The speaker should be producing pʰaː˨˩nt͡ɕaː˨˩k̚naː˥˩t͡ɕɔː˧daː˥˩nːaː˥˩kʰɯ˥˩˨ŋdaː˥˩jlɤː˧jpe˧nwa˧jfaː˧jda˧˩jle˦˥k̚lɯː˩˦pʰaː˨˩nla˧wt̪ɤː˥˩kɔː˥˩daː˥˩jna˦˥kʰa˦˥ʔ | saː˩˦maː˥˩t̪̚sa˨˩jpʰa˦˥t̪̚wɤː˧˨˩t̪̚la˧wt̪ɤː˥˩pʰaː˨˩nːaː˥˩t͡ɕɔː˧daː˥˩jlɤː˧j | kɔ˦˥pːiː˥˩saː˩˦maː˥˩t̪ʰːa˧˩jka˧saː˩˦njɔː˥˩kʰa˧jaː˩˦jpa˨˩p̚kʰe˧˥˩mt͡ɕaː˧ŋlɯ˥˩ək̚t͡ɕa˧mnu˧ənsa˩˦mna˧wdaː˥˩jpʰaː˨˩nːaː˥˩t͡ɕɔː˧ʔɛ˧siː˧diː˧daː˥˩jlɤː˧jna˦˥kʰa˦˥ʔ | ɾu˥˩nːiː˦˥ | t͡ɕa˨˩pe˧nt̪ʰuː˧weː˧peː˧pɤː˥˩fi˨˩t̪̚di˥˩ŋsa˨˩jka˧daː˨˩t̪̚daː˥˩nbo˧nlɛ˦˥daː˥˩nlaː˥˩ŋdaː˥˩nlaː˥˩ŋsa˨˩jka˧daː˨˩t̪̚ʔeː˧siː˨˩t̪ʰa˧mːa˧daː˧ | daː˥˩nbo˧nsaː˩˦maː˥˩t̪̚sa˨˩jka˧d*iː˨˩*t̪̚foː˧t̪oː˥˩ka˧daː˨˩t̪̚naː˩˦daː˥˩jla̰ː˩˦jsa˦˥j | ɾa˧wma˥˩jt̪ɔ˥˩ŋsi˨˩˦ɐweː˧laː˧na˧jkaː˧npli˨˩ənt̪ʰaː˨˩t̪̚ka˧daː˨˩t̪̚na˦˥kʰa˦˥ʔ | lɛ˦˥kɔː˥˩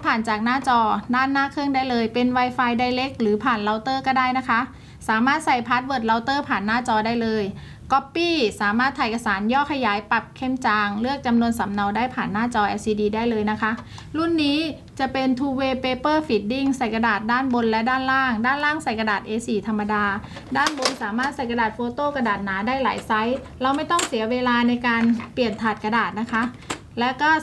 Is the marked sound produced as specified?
no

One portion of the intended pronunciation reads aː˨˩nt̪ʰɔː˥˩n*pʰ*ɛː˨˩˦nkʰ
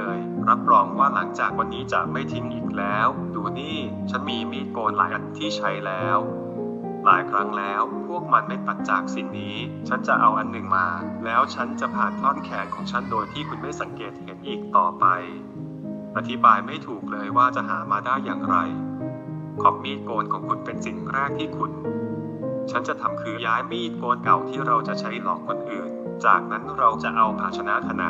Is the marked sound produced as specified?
no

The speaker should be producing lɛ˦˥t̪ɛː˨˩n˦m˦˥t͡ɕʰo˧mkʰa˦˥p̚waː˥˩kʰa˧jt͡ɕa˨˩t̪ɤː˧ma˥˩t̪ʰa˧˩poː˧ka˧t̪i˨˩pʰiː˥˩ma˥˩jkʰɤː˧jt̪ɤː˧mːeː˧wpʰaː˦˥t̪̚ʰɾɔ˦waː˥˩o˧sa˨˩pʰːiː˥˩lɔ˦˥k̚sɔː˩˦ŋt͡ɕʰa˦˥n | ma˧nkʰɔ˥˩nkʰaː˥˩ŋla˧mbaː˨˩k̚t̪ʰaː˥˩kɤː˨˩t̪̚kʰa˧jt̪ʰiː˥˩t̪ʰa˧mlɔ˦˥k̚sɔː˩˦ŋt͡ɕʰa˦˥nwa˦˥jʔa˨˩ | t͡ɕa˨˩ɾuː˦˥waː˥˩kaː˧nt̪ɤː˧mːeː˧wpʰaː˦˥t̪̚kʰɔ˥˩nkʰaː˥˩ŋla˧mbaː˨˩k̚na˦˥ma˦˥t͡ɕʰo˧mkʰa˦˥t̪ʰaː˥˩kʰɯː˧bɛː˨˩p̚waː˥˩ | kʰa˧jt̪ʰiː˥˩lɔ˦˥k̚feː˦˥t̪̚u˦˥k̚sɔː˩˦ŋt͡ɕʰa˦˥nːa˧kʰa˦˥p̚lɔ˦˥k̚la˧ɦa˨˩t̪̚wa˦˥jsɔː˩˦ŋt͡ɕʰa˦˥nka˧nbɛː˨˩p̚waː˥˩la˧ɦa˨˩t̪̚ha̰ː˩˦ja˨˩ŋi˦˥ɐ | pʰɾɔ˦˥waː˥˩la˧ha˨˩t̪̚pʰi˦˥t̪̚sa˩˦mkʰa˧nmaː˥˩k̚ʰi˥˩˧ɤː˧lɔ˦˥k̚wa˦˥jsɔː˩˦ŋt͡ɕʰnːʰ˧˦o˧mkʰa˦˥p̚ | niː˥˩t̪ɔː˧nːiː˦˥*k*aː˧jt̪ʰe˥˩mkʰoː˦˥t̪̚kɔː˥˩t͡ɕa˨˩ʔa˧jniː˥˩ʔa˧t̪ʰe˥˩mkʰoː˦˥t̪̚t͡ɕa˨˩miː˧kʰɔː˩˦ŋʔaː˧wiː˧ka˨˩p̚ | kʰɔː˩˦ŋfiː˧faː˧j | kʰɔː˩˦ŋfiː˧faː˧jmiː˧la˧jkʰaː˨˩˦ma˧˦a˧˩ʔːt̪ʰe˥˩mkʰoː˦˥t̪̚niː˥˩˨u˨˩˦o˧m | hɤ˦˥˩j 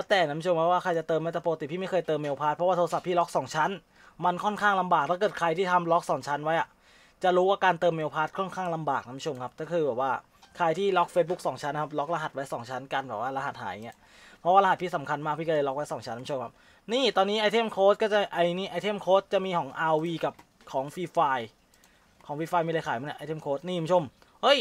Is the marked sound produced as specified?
no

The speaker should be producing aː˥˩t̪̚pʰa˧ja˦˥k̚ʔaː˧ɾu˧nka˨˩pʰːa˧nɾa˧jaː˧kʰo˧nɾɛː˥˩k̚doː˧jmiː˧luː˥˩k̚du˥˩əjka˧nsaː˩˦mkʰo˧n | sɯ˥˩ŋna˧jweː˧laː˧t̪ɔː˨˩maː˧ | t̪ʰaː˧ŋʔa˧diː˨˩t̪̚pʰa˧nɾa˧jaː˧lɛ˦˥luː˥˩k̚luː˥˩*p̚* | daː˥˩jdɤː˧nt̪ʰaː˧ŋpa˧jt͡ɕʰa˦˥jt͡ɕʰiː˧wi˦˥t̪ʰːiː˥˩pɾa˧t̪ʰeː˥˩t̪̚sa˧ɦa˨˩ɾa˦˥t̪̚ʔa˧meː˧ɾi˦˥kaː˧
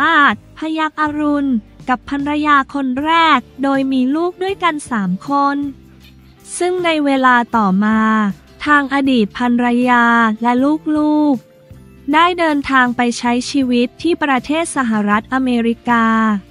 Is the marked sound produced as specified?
no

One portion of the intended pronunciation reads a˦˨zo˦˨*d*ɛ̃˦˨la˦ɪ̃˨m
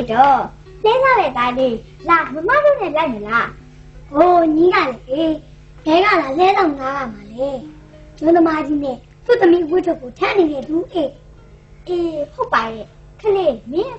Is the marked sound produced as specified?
no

